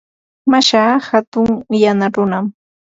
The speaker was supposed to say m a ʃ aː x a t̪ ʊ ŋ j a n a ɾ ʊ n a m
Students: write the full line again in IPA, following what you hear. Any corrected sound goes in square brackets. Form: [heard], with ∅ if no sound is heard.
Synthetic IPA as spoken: m a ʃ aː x a t̪ ʊ ŋ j a n a ɾ ʊ n a m